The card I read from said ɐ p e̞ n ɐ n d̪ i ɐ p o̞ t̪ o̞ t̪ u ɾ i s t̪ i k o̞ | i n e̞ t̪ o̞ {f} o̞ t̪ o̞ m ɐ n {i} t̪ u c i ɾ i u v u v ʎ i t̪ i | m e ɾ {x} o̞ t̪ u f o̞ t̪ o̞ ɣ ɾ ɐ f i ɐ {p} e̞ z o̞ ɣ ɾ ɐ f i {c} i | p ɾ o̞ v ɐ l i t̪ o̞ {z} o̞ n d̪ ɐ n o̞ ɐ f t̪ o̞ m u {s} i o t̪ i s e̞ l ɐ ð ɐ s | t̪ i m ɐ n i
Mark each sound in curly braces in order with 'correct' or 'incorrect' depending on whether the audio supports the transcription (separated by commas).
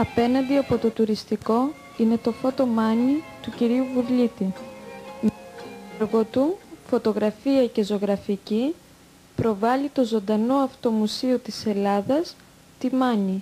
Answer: correct, correct, incorrect, incorrect, correct, correct, correct